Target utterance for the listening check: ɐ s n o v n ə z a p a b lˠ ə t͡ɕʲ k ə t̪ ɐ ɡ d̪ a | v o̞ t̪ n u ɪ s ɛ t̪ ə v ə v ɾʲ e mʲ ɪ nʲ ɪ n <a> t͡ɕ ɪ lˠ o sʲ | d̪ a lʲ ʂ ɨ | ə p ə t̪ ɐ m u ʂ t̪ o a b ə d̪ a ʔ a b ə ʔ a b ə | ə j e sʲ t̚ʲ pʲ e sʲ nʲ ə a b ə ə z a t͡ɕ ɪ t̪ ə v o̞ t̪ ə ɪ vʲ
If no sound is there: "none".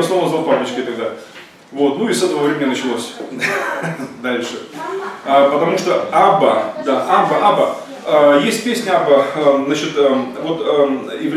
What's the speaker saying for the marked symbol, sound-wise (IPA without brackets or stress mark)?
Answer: ə